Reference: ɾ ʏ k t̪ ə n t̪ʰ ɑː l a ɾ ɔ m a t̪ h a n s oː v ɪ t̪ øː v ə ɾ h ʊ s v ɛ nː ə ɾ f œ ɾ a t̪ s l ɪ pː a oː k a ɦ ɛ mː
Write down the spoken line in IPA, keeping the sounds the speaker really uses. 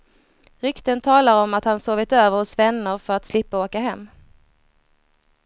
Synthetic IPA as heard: ɾ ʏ k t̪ ə n t̪ʰ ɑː l a ɾ ɔ m a t̪ h a n s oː v ɪ t̪ øː v ə ɾ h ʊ s v ɛ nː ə ɾ f œ ɾ a t̪ s l ɪ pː a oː k a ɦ ɛ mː